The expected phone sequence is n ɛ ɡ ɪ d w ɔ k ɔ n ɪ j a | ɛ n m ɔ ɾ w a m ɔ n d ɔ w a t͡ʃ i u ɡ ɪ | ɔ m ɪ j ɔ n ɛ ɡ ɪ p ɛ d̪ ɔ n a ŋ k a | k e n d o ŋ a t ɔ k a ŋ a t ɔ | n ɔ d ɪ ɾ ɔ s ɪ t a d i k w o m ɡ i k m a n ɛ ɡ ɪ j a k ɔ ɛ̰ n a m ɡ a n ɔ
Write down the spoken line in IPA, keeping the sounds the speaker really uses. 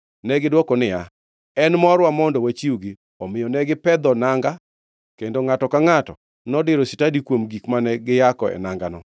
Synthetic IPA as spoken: n ɛ ɡ ɪ d w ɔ k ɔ n ɪ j a | ɛ n m ɔ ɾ w a m ɔ n d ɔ w a t͡ʃ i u ɡ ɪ | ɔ m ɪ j ɔ n ɛ ɡ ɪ p ɛ d̪ ɔ n a ŋ ɡ a | k e n d o ŋ a t ɔ k a ŋ a t ɔ | n ɔ d ɪ ɾ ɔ s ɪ t a d i k w o m ɡ i k m a n ɛ ɡ ɪ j a k ɔ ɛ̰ n a ŋ ɡ a n ɔ

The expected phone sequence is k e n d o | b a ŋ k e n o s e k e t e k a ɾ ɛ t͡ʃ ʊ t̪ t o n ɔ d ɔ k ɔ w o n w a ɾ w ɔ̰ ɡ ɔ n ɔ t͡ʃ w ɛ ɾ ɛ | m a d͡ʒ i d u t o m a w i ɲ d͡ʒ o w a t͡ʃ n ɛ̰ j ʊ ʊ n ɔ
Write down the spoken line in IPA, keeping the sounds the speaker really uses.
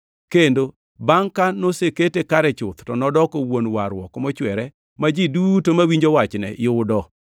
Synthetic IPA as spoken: k e n d o | b a ŋ k a n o s e k e t e k a ɾ ɛ t͡ʃ ʊ t̪ t ɔ n ɔ d ɔ k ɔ w o n w a ɾ w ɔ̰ k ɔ m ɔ t͡ʃ w ɛ ɾ ɛ | m a d͡ʒ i d u t o m a w i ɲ d͡ʒ o w a t͡ʃ n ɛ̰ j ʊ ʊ d ɔ

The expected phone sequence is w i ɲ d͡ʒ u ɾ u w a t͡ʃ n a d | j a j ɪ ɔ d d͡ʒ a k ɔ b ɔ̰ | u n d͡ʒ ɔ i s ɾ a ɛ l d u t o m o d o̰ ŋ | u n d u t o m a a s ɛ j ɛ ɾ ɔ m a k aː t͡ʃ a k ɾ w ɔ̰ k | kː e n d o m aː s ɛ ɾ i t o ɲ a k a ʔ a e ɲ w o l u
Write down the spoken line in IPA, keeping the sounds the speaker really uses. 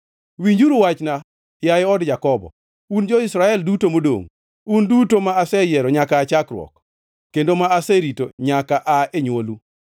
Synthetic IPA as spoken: w i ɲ d͡ʒ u ɾ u w a t͡ʃ n a | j a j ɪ ɔ d d͡ʒ a k ɔ b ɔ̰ | u n d͡ʒ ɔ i s ɾ a ɛ l d u t o m o d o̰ ŋ | u n d u t o m a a s ɛ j ɛ ɾ ɔ ɲ a k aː t͡ʃ a k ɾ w ɔ̰ k | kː e n d o m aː s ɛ ɾ i t o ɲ a k a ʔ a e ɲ w o l u

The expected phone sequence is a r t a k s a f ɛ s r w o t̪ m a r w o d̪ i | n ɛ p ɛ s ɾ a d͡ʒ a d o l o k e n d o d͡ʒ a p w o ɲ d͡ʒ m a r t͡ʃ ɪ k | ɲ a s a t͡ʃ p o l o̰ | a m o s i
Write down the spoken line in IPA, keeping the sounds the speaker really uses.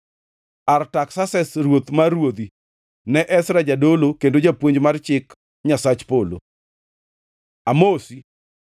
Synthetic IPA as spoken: a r t a k s a s ɛ s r w o t̪ m a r w o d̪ i | n ɛ ʔ ɛ s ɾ a d͡ʒ a d o l o k e n d o d͡ʒ a p w o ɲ d͡ʒ m a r t͡ʃ ɪ k | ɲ a s a t͡ʃ p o l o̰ | a m o s i

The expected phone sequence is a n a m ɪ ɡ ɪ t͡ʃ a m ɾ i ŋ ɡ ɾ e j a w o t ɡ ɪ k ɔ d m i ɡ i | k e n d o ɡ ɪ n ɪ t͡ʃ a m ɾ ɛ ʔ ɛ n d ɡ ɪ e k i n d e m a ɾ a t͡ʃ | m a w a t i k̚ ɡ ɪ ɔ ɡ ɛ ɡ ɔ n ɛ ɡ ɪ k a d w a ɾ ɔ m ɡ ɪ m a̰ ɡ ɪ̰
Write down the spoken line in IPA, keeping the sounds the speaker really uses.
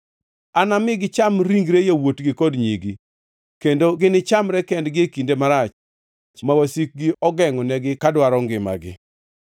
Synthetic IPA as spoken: a n a m ɪ ɡ ɪ t͡ʃ a m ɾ i ŋ ɡ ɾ e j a w o t ɡ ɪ k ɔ d ɲ i ɡ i | k e n d o ɡ ɪ n ɪ t͡ʃ a m ɾ ɛ k ɛ n d ɡ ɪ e k i n d e m a ɾ a t͡ʃ | m a w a s i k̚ ɡ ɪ ɔ ɡ ɛ ŋ ɔ n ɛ ɡ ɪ k a d w a ɾ ɔ ŋ ɡ ɪ m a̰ ɡ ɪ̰

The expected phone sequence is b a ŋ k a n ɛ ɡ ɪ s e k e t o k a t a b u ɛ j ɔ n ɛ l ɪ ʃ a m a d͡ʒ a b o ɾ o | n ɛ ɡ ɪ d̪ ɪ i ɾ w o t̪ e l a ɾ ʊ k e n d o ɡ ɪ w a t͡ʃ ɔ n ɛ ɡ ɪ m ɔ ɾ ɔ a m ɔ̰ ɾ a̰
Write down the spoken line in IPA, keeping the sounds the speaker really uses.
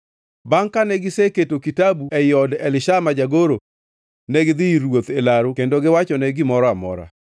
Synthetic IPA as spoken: b a ŋ k a n ɛ ɡ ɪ s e k e t o k i t a b u ɛ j ɔ d ɛ l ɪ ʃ a m a d͡ʒ a ɡ o ɾ o | n ɛ ɡ ɪ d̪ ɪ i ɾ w o t̪ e l a ɾ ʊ k e n d o ɡ ɪ w a t͡ʃ ɔ n ɛ ɡ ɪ m ɔ ɾ ɔ a m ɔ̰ ɾ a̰

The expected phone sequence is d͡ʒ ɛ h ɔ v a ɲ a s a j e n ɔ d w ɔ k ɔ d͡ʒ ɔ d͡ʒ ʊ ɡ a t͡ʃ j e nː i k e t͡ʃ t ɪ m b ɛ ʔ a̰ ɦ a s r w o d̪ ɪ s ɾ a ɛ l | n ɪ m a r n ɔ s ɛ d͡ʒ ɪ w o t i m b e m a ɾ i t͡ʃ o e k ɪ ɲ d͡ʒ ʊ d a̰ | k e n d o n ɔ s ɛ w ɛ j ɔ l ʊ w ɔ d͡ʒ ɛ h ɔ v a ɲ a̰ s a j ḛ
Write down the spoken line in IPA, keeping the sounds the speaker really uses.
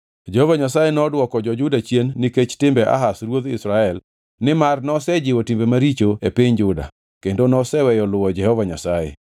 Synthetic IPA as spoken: d͡ʒ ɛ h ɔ v a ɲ a s a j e n ɔ d w ɔ k ɔ d͡ʒ ɔ d͡ʒ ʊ d a t͡ʃ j e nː i k e t͡ʃ t ɪ m b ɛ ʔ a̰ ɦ a s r w o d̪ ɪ s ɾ a ɛ l | n ɪ m a r n ɔ s ɛ d͡ʒ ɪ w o t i m b e m a ɾ i t͡ʃ o e p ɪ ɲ d͡ʒ ʊ d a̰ | k e n d o n ɔ s ɛ w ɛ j ɔ l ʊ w ɔ d͡ʒ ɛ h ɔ v a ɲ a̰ s a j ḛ

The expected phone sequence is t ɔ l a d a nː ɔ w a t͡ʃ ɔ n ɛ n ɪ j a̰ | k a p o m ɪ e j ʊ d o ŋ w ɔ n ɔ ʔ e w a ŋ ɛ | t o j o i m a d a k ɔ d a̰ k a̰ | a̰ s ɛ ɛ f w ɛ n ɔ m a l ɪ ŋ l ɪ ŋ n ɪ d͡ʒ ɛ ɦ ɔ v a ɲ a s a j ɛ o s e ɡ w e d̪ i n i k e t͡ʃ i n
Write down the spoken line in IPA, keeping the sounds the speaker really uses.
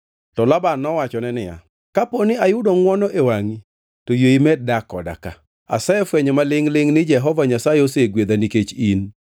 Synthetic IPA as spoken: t ɔ l a b a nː ɔ w a t͡ʃ ɔ n ɛ n ɪ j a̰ | k a p o n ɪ a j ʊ d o ŋ w ɔ n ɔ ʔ e w a ŋ i | t o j o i m ɛ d a k ɔ d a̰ k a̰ | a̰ s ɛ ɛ f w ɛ ɲ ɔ m a l ɪ ŋ l ɪ ŋ n ɪ d͡ʒ ɛ ɦ ɔ v a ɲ a s a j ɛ o s e ɡ w e d̪ a n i k e t͡ʃ i n

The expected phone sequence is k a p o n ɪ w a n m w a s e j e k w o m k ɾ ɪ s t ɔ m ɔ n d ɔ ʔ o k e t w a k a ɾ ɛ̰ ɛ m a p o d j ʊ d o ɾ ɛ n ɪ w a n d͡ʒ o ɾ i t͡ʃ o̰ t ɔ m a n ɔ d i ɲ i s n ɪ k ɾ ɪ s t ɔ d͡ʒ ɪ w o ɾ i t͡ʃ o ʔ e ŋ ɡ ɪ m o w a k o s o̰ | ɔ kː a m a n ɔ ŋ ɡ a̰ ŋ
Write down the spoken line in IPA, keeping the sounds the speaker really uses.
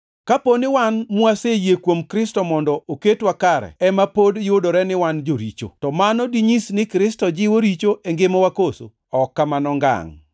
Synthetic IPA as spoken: k a p o n ɪ w a n m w a s e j e k w o m k ɾ ɪ s t ɔ m ɔ n d ɔ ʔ o k e t w a k a ɾ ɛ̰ ɛ m a p o d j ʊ d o ɾ ɛ n ɪ w a n d͡ʒ o ɾ i t͡ʃ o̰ t ɔ m a n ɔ d i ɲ i s n ɪ k ɾ ɪ s t ɔ d͡ʒ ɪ w o ɾ i t͡ʃ o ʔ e ŋ ɡ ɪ m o w a k o s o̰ | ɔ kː a m a n ɔ ŋ ɡ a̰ ŋ

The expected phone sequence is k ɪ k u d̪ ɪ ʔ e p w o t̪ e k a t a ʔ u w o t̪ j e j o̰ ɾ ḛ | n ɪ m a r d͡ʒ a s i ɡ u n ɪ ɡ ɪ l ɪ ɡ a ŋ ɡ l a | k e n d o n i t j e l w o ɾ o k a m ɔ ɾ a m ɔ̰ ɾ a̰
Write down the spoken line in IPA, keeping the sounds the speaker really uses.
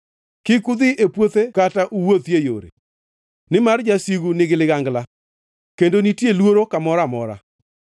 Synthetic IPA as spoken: k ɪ k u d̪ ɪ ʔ e p w o t̪ e k a t a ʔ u w o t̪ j e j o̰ ɾ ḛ | n ɪ m a r d͡ʒ a s i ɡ u n ɪ ɡ ɪ l ɪ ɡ a ŋ ɡ l a | k e n d o n i t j e l w o ɾ o k a m ɔ ɾ a m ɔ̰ ɾ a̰

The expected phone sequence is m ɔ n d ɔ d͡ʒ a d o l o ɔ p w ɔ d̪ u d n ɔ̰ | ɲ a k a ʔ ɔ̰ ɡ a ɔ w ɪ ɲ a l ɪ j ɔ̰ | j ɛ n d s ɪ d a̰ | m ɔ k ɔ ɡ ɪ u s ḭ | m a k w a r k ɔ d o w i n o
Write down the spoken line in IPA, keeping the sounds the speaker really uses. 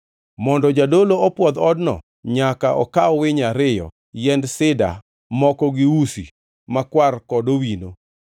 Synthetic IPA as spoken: m ɔ n d ɔ d͡ʒ a d o l o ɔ p w ɔ d̪ ɔ d n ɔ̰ | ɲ a k a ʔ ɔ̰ k a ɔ w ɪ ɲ a ɾ ɪ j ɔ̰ | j ɛ n d s ɪ d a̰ | m ɔ k ɔ ɡ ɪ u s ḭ | m a k w a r k ɔ d o w i n o

